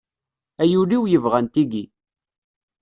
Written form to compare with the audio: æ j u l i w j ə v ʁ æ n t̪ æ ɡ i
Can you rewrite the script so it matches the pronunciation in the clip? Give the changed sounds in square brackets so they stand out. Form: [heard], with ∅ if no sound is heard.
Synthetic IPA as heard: æ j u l i w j ə v ʁ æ n t̪ [i] ɡ i

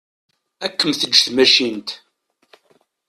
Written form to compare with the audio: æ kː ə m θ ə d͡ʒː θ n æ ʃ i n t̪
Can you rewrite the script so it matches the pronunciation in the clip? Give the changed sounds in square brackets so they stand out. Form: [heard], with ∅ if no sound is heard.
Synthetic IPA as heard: æ kː ə m θ ə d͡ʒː θ [m] æ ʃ i n t̪

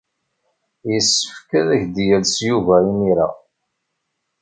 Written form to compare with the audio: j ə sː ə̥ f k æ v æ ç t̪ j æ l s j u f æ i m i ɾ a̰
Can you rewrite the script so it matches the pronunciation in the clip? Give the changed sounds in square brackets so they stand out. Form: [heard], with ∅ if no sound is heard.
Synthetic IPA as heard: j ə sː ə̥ f k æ [ð] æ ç [d̪] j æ l s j u [v] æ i m i ɾ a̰

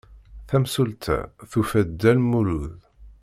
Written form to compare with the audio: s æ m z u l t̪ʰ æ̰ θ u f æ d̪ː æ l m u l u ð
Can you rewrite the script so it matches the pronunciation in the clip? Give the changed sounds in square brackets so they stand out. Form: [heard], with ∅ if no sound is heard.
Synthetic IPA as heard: [θ] æ m [s] u l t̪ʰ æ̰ θ u f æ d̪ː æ l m u l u ð

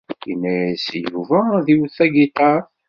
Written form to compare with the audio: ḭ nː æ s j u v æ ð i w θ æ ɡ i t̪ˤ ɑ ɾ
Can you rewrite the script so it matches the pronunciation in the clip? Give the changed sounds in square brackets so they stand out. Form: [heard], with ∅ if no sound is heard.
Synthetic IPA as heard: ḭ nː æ s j u v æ ð i w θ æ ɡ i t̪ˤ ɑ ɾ

